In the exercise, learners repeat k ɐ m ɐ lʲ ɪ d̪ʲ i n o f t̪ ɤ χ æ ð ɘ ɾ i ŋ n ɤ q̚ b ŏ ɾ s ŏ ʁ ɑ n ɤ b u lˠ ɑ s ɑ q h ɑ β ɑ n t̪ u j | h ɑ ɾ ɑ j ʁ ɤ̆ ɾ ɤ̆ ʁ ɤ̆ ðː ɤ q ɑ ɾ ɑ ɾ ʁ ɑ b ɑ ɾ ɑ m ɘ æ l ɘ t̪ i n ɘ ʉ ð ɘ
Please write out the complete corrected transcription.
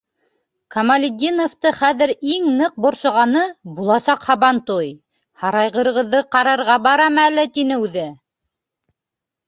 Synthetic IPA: k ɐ m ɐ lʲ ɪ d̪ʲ i n o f t̪ ɤ χ æ ð ɘ ɾ i ŋ n ɤ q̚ b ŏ ɾ s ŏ ʁ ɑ n ɤ b u lˠ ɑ s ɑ q h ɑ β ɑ n t̪ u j | h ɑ ɾ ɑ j ʁ ɤ̆ ɾ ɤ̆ ʁ ɤ̆ ðː ɤ q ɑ ɾ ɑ ɾ ʁ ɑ b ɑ ɾ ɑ m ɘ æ l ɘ t̪ i n ɘ ʉ ð ɘ